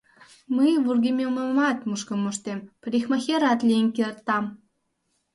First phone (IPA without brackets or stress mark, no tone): m